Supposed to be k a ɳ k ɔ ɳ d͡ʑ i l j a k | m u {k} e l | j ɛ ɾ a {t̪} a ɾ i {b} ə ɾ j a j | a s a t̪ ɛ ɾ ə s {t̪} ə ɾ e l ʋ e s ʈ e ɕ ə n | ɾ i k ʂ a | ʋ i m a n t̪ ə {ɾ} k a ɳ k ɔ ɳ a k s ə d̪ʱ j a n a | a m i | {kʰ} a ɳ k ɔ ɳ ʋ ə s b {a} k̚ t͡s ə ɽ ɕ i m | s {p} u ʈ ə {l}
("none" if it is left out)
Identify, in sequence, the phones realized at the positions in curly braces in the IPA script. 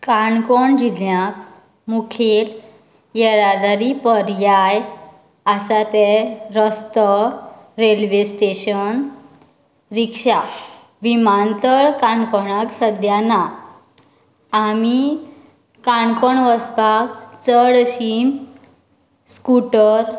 kʰ, d̪, p, t̪, ɭ, k, a, k, ɾ

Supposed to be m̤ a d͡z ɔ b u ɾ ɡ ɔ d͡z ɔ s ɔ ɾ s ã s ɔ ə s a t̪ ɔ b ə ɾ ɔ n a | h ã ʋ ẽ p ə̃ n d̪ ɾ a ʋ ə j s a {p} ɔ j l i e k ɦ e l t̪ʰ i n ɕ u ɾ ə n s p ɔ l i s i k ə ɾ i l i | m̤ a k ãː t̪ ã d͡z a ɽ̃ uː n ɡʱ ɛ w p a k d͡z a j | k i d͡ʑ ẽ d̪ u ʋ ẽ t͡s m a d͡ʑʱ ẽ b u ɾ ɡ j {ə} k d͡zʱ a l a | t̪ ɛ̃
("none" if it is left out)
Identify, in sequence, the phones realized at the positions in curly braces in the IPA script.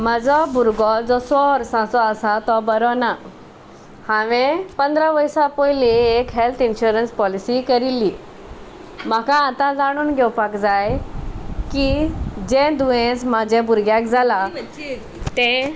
p, a

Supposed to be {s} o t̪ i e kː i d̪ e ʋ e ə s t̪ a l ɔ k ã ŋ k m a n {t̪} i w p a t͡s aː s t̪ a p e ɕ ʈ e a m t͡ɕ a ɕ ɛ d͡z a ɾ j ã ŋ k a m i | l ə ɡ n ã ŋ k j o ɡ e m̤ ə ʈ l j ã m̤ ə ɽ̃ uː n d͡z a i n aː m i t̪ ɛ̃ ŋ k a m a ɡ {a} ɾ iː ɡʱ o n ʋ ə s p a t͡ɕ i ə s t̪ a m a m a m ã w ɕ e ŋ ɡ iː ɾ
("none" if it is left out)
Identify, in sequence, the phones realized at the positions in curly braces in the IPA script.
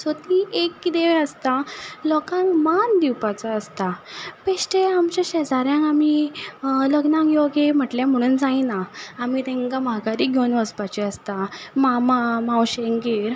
s, d̪, a

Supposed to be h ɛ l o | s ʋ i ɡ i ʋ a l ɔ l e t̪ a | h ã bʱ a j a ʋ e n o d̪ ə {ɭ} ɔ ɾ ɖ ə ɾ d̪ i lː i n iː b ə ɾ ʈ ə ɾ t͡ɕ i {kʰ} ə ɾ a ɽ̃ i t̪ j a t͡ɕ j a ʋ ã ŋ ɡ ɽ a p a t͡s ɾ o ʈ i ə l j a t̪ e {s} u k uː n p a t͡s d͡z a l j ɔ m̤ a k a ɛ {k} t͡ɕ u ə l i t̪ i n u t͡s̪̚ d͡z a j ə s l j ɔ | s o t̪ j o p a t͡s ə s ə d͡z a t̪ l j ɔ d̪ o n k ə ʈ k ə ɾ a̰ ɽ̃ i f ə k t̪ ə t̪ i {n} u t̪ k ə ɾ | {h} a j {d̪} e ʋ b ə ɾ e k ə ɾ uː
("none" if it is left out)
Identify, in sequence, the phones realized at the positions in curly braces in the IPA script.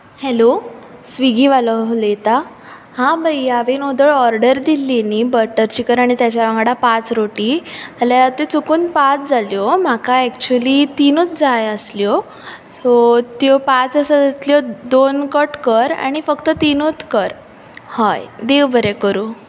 ɭ, k, t͡s, k, n, h, d̪

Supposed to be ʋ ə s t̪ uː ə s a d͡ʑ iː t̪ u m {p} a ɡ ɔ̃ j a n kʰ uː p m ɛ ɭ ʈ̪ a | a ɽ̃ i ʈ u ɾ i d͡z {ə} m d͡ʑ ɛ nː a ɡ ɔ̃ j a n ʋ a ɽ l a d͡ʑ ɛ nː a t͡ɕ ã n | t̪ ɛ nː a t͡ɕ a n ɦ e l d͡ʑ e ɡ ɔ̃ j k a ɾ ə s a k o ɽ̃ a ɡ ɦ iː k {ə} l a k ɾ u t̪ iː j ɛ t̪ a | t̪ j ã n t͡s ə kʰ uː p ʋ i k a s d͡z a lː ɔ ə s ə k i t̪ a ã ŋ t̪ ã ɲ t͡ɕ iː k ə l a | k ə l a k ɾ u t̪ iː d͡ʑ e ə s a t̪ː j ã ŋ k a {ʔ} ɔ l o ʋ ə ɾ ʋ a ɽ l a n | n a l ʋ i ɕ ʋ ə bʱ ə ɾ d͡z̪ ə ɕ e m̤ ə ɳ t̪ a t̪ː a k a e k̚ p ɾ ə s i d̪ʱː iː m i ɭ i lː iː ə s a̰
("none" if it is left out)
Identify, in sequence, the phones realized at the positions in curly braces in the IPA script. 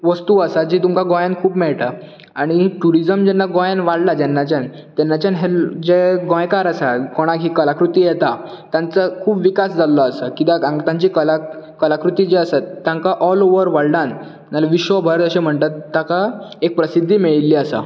k, ə, ə, ʔ

